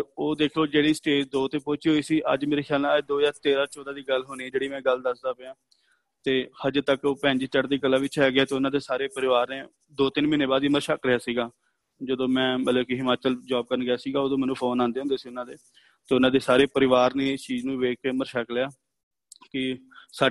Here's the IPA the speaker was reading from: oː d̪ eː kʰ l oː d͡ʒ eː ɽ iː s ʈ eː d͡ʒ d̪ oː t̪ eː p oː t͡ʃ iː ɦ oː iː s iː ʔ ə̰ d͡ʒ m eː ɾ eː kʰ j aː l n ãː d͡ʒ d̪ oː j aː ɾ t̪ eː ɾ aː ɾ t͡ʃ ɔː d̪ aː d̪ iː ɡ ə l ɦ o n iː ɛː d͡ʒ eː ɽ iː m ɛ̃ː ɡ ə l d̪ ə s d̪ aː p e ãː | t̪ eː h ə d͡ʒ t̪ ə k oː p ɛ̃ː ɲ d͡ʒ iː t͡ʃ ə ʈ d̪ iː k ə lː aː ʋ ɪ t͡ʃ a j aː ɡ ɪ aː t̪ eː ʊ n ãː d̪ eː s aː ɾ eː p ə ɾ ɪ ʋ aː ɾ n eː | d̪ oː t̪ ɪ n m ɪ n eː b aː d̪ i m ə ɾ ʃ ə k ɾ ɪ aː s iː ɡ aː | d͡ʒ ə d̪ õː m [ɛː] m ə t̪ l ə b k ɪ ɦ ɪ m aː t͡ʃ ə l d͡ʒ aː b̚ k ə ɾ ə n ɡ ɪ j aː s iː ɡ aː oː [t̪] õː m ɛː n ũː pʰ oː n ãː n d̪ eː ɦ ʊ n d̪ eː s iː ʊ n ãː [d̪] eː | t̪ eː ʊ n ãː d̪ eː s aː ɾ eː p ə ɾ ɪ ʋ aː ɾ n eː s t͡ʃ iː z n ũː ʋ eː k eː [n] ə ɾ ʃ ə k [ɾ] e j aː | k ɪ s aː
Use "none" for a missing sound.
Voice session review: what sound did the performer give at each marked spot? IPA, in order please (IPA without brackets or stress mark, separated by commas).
ɛ̃ː, d̪, d̪, m, l